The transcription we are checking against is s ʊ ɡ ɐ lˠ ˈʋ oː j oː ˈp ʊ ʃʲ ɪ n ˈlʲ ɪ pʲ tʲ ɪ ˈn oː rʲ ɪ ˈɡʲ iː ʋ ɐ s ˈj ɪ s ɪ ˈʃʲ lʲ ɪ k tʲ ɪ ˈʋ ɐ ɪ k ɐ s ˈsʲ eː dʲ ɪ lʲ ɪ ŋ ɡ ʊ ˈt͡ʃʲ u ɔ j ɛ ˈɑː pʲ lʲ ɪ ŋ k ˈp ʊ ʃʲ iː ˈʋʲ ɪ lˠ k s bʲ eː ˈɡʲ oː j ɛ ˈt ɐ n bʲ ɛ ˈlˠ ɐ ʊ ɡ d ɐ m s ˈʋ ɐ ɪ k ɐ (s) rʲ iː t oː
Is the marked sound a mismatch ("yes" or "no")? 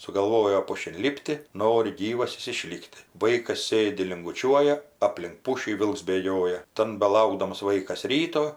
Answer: no